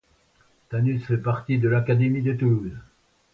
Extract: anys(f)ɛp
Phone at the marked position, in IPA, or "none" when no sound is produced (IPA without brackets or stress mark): f